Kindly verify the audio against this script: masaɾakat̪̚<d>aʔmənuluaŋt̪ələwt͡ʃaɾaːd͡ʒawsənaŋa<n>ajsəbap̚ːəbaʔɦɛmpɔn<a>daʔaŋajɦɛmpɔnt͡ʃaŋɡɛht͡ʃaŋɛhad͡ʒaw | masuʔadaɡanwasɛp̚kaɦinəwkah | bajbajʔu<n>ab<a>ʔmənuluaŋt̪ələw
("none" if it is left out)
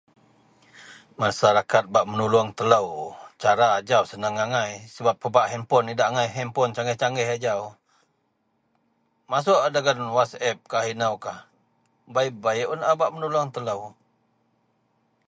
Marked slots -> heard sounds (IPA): b, ŋ, i, n, a

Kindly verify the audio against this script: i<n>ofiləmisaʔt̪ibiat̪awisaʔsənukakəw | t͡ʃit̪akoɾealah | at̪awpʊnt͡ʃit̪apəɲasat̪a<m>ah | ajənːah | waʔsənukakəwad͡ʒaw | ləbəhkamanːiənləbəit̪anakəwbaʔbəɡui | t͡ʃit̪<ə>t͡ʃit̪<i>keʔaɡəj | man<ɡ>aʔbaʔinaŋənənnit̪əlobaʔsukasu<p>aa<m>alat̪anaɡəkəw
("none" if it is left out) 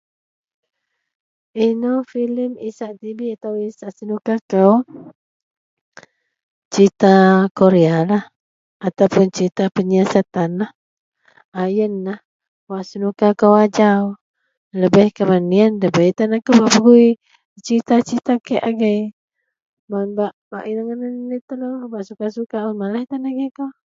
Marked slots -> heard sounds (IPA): n, n, a, a, b, k, m

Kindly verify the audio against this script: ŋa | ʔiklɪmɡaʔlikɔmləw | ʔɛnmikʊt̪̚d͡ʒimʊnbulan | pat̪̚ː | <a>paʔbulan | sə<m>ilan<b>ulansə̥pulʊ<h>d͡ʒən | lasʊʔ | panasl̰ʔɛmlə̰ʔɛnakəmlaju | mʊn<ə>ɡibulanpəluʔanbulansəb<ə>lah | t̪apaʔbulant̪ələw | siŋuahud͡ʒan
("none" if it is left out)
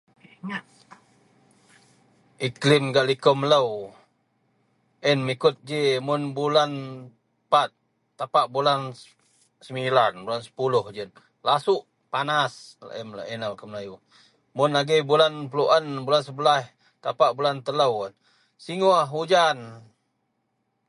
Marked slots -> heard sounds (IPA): a, m, b, h, a, ə

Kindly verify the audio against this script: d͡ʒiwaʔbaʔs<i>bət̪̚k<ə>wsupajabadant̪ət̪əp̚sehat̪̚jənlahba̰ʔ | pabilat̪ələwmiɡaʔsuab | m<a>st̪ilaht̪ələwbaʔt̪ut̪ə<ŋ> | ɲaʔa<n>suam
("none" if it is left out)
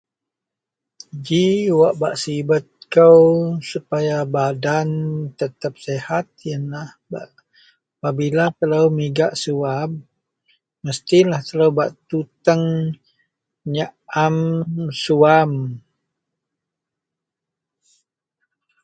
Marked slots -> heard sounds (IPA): i, ə, ə, ŋ, m

